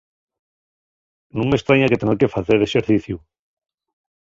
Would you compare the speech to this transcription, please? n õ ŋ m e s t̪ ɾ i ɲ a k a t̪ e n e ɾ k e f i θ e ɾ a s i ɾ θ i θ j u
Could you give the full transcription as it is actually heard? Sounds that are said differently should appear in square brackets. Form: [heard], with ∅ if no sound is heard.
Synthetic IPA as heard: n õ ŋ m e s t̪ ɾ [a] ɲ a k [e] t̪ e n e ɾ k e f [a] θ e ɾ [e] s [e] ɾ θ i θ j u